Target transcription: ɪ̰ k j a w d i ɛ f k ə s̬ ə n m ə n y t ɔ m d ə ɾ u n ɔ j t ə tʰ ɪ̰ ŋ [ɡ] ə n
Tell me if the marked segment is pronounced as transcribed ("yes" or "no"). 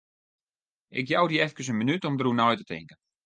no